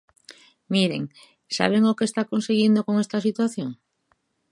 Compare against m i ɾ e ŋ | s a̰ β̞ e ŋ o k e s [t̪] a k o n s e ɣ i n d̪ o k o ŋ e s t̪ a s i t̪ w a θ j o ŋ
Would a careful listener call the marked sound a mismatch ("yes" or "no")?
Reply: no